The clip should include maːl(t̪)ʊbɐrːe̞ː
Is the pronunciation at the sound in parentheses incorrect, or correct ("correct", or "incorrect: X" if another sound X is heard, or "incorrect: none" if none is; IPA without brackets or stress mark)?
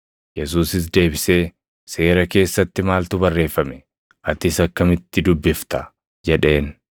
correct